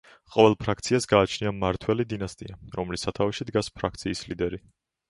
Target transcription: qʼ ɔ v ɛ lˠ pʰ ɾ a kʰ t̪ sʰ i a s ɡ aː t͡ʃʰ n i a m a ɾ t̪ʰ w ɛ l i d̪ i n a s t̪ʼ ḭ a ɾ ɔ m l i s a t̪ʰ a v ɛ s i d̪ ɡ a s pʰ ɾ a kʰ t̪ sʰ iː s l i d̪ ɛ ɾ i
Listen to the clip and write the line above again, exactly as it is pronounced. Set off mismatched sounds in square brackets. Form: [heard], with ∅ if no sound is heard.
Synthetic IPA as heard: qʼ ɔ v ɛ lˠ pʰ ɾ a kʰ t̪ sʰ i a s ɡ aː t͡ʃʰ n i a m a ɾ t̪ʰ w ɛ l i d̪ i n a s t̪ʼ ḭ a ɾ ɔ m l i s a t̪ʰ a v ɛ [ʃ] i d̪ ɡ a s pʰ ɾ a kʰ t̪ sʰ iː s l i d̪ ɛ ɾ i